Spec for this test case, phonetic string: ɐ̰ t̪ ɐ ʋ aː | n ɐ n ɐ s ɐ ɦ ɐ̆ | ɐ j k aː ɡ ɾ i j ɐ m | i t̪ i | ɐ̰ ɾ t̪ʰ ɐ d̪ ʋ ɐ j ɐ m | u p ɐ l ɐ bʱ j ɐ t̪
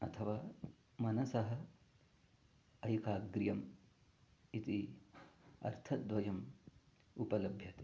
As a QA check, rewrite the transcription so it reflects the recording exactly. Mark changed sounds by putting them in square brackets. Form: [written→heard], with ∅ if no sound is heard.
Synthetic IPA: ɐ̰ [t̪→t̪ʰ] ɐ ʋ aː | [n→m] ɐ n ɐ s ɐ ɦ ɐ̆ | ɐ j k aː ɡ ɾ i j ɐ m | i t̪ i | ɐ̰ ɾ t̪ʰ ɐ d̪ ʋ ɐ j ɐ m | u p ɐ l ɐ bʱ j ɐ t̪